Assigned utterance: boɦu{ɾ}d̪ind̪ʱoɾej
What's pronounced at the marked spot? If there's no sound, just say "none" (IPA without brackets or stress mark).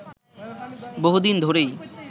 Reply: none